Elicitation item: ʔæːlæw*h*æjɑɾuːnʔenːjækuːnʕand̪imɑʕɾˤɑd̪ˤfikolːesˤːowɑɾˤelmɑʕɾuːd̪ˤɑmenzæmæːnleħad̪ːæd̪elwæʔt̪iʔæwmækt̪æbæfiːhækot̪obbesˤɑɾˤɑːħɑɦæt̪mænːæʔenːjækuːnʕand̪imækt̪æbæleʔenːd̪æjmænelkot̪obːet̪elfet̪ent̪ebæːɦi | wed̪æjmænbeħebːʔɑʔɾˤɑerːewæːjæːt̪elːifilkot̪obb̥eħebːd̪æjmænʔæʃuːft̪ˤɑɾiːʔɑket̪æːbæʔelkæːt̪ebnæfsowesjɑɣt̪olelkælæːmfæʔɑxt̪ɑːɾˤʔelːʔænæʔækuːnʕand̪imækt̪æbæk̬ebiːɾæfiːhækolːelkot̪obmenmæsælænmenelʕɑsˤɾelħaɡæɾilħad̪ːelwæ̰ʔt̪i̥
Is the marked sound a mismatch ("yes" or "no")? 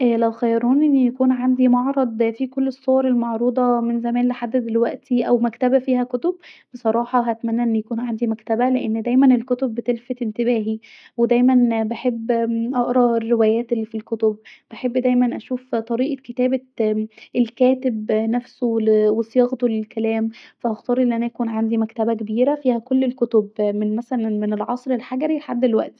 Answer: yes